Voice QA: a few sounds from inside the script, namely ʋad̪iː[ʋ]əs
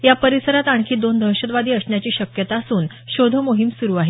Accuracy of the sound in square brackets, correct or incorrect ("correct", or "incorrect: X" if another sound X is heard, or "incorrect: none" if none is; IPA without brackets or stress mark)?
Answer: incorrect: none